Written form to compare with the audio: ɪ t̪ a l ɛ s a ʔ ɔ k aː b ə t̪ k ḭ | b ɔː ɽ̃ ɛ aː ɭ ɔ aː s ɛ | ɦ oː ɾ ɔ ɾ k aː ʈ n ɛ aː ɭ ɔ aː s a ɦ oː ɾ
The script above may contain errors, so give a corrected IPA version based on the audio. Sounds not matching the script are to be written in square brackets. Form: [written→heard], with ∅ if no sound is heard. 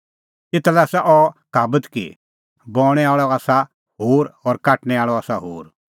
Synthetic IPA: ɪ t̪ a l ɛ s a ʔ ɔ k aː b ə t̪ k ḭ | b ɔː ɽ̃ ɛ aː ɭ ɔ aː s [ɛ→a] | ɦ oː ɾ ɔ ɾ k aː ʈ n ɛ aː ɭ ɔ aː s a ɦ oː ɾ